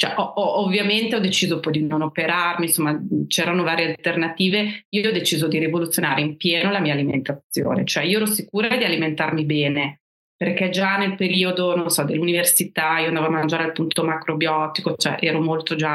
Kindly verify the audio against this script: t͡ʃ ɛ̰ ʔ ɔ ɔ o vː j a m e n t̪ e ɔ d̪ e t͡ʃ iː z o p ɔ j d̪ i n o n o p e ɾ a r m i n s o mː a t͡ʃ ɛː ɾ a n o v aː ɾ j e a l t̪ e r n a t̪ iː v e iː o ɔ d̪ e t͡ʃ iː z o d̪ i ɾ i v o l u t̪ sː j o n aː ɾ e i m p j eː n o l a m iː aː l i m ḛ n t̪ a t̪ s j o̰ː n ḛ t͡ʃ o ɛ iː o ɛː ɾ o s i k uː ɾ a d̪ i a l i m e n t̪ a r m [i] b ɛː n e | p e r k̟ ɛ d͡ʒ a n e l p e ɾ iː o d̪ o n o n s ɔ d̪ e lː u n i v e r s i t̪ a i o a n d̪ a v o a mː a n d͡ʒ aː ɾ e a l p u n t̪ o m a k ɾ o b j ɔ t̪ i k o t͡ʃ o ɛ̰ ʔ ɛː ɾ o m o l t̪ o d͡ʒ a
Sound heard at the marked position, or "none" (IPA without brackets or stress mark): i